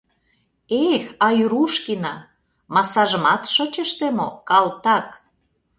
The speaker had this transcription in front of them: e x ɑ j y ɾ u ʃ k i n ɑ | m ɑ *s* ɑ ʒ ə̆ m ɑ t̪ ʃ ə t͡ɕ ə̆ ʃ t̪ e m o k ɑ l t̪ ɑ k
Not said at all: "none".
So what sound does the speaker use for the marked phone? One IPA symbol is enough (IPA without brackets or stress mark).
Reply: s